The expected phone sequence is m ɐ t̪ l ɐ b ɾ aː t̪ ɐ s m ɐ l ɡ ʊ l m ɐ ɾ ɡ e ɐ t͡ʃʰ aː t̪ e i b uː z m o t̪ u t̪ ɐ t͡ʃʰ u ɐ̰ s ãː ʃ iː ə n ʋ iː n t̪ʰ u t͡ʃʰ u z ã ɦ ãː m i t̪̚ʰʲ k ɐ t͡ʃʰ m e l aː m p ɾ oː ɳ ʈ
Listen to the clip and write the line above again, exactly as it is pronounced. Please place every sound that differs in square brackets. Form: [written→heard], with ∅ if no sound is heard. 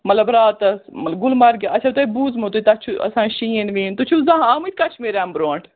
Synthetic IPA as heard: m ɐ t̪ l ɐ b ɾ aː t̪ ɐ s m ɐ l ɡ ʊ l m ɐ ɾ ɡ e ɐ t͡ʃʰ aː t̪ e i b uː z m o t̪ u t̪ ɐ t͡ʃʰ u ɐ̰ s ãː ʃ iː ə n ʋ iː n [t̪ʰ→t̪] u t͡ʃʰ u z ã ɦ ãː m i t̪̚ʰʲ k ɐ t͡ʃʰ m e [l→ɾ] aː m [p→b] ɾ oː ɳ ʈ